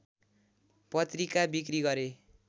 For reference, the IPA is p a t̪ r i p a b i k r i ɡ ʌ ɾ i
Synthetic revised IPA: p ʌ t̪ r i k a b i k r i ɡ ʌ ɾ e